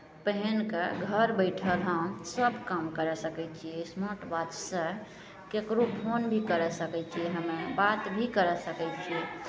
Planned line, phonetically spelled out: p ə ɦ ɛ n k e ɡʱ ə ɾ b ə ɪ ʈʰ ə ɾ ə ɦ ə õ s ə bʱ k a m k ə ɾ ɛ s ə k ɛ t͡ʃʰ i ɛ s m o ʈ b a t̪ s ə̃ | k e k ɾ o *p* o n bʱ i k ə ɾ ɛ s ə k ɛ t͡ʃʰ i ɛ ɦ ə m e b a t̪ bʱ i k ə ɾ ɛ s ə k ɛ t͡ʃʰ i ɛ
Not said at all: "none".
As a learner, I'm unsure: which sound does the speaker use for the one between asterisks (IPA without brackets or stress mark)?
pʰ